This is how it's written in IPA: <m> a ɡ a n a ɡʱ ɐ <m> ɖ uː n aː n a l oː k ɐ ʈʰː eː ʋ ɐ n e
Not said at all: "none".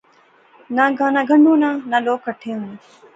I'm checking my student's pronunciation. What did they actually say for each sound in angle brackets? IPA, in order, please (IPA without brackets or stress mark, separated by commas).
n, ɳ